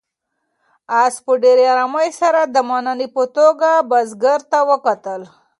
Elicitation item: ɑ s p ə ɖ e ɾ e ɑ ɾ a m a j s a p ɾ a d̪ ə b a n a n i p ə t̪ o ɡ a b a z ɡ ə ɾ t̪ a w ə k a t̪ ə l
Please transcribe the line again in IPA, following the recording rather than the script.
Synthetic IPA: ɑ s p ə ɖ e ɾ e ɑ ɾ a m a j s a ɾ a d̪ ə m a n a n i p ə t̪ o ɡ a b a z ɡ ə ɾ t̪ a w ə k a t̪ ə l